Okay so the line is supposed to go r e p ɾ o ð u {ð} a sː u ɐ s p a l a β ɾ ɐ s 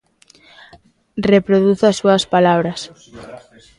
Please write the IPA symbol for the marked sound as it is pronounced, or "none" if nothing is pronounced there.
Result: θ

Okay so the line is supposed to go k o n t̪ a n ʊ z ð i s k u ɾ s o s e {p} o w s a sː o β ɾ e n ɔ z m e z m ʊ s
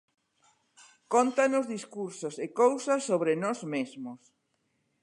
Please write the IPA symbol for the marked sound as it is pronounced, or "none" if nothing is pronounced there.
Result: k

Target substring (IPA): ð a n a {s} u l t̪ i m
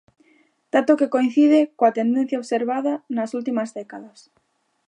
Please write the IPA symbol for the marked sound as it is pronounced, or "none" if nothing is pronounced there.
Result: s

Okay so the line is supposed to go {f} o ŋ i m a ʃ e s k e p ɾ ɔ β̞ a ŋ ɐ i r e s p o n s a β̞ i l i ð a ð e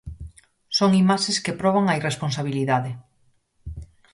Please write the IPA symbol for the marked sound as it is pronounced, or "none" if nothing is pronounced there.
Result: s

